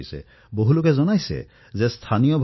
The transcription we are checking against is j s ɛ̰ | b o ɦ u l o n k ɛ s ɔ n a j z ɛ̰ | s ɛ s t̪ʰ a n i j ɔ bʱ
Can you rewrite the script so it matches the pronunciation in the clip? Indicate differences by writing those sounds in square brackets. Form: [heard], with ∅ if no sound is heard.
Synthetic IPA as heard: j s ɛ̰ | b o ɦ u l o [∅] k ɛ [z] ɔ n a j [s] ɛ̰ | [z] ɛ s t̪ʰ a n i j ɔ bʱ